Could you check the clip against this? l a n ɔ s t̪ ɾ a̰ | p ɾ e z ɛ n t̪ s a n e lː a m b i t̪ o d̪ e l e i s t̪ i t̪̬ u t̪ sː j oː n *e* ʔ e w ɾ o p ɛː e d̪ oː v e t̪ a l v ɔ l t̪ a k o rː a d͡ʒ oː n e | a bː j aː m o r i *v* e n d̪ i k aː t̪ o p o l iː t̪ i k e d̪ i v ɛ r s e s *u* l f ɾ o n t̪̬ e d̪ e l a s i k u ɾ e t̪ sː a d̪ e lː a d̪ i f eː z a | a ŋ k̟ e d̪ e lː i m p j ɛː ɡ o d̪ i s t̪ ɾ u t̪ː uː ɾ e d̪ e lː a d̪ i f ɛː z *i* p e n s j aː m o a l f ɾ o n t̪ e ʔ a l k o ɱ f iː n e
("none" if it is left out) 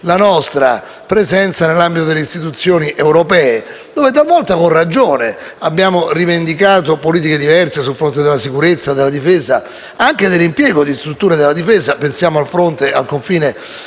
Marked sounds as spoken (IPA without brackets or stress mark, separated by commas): i, v, u, a